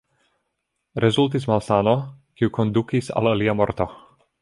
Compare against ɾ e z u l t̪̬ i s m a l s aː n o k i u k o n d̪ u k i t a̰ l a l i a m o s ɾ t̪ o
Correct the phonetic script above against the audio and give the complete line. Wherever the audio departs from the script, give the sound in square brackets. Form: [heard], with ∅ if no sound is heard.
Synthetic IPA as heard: ɾ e z u l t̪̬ i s m a l s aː n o k i u k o n d̪ u k i [s] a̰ l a l i a m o [∅] ɾ t̪ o